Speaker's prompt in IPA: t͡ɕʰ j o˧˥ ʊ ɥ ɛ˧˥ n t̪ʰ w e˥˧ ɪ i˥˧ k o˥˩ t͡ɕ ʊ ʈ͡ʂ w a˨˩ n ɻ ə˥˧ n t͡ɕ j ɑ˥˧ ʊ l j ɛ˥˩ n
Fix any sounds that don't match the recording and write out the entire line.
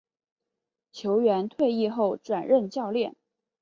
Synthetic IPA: t͡ɕʰ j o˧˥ ʊ ɥ ɛ˧˥ n t̪ʰ w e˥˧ ɪ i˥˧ x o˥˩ ʊ ʈ͡ʂ w a˨˩ n ɻ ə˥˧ n t͡ɕ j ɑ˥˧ ʊ l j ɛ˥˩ n